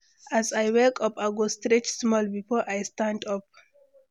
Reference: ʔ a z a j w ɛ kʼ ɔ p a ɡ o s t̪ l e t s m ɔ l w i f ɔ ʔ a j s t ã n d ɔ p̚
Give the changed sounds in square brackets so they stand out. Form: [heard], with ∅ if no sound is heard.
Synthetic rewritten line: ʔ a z a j w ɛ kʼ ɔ p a ɡ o s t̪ [ɾ] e [t͡ʃ] s m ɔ l [b] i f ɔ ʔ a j s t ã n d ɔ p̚